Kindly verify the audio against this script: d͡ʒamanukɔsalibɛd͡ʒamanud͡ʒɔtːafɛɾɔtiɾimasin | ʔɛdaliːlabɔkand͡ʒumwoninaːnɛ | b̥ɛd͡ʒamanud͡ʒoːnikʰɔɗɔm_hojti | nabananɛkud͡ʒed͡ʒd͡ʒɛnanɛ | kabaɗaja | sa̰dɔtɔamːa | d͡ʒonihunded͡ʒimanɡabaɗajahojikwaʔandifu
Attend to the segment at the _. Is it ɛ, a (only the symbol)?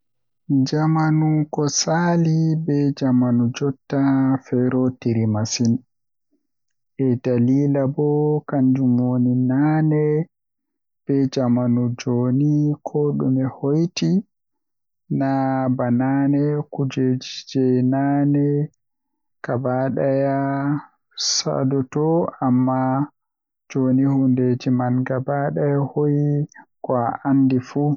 ɛ